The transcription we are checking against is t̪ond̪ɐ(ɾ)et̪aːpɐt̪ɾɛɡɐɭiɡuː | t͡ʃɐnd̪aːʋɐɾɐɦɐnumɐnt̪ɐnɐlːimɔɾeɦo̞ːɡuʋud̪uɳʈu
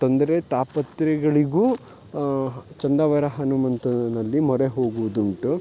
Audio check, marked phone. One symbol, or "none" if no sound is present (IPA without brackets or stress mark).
ɾ